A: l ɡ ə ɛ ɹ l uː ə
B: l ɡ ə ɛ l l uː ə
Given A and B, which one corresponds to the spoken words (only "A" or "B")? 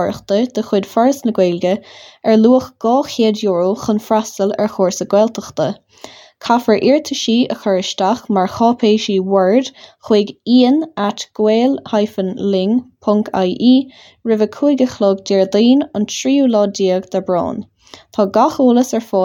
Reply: A